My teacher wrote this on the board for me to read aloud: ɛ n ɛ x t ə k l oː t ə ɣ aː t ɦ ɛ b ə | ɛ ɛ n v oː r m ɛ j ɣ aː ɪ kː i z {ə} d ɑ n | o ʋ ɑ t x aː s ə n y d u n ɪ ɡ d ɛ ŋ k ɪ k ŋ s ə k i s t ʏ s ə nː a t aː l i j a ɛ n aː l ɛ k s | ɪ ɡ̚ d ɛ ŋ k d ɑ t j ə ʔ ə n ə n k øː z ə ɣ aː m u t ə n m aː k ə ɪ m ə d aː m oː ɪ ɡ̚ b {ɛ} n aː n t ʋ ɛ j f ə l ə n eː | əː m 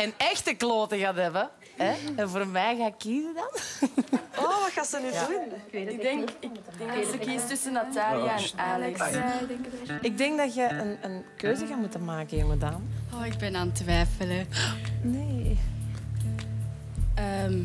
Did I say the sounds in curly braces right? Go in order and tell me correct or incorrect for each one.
correct, correct

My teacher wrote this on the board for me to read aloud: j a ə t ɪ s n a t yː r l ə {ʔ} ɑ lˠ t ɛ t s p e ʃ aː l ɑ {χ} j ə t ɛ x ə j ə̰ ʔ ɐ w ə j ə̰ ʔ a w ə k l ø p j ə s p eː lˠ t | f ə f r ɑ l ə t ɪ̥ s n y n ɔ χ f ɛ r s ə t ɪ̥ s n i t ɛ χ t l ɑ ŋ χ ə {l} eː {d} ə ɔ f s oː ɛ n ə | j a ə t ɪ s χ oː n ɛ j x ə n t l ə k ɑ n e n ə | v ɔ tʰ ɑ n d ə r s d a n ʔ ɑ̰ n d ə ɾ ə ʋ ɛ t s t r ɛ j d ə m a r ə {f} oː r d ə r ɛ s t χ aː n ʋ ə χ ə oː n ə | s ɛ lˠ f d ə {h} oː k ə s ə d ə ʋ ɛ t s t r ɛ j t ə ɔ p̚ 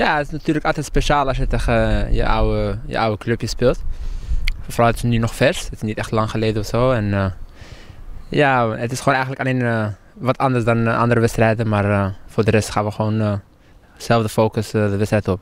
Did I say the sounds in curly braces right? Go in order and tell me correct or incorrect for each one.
incorrect: k, incorrect: s, correct, correct, correct, incorrect: f

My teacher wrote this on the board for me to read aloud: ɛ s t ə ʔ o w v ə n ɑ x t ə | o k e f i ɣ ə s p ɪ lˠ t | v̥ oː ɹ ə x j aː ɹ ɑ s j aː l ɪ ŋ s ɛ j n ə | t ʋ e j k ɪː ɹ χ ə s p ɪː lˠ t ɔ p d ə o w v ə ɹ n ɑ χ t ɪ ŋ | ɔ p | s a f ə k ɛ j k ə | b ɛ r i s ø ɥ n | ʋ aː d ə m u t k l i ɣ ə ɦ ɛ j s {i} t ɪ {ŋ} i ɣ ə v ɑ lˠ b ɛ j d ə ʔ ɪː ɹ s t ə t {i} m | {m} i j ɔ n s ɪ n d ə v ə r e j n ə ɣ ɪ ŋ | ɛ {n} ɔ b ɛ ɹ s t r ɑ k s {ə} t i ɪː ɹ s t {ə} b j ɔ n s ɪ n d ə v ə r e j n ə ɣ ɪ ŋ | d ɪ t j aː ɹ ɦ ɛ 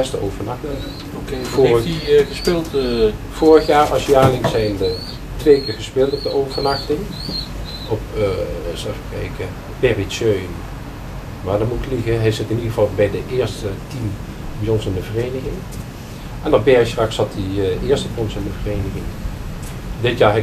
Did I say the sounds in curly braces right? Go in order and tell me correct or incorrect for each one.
incorrect: ɪ, incorrect: n, correct, incorrect: b, correct, incorrect: ɑ, correct

